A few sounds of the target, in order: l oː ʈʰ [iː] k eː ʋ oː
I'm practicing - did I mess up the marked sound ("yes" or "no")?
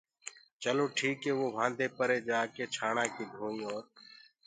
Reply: no